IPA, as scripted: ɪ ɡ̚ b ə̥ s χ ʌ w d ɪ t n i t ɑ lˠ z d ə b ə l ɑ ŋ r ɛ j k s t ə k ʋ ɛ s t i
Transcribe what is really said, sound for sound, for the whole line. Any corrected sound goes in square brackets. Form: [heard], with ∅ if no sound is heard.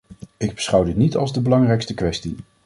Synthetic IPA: ɪ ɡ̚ b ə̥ s χ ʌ w d ɪ t n i t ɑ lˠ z d ə b ə l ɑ ŋ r ɛ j k s t ə k ʋ ɛ s t i